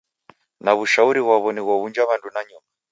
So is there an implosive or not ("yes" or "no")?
no